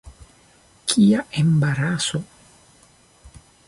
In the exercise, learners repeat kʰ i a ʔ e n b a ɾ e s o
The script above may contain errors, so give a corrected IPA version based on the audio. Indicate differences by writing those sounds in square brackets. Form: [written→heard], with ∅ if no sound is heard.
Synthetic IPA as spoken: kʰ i a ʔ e [n→m] b a ɾ [e→a] s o